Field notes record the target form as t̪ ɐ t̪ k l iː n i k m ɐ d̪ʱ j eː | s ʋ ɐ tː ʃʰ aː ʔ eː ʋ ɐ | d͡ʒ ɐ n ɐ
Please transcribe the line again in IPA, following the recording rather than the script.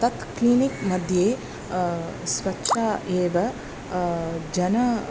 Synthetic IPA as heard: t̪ ɐ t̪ k l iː n i k m ɐ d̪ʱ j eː | s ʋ ɐ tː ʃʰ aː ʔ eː ʋ ɐ | d͡ʒ ɐ n ɐ